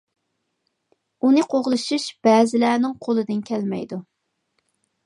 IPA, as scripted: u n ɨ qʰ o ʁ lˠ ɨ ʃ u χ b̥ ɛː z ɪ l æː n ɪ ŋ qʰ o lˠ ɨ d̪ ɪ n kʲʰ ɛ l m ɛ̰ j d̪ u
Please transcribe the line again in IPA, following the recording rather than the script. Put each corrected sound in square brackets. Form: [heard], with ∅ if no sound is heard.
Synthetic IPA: u n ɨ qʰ o ʁ lˠ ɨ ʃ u [ʃ] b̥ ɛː z ɪ l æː n ɪ ŋ qʰ o lˠ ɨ d̪ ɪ n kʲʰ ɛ l m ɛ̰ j d̪ u